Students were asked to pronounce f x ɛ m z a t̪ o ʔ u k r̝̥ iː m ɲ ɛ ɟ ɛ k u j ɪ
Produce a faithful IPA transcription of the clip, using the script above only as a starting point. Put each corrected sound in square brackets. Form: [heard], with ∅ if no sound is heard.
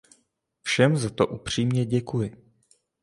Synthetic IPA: f [ʃ] ɛ m z a t̪ o ʔ u [p] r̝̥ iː m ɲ ɛ ɟ ɛ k u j ɪ